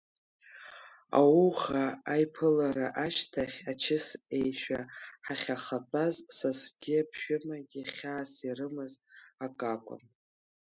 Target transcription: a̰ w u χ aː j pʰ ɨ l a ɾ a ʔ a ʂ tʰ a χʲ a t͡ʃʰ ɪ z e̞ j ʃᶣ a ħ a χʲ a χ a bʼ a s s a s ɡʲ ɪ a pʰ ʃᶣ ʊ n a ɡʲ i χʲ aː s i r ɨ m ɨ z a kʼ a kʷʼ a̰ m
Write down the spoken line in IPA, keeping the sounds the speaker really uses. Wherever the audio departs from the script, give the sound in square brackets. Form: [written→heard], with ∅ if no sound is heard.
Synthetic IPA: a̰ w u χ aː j pʰ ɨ l a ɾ a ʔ a [ʂ→ʃ] tʰ a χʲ a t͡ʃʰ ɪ [z→s] e̞ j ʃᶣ a ħ a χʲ a χ a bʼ a [s→z] s a s ɡʲ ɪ a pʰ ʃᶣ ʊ [n→m] a ɡʲ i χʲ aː s i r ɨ m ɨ z a kʼ a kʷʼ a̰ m